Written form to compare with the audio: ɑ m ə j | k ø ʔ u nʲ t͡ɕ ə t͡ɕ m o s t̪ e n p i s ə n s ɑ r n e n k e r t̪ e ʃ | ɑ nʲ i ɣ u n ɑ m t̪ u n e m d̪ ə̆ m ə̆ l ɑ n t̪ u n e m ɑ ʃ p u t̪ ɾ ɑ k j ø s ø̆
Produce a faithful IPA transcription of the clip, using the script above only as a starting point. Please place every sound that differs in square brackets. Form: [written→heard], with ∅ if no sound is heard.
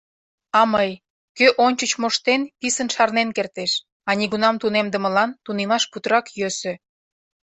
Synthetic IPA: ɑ m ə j | k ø ʔ [u→o] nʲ t͡ɕ ə t͡ɕ m o [s→ʃ] t̪ e n p i s ə n [s→ʃ] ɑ r n e n k e r t̪ e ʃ | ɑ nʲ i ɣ u n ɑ m t̪ u n e m d̪ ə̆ m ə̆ l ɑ n t̪ u n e m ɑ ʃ p u t̪ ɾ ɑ k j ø s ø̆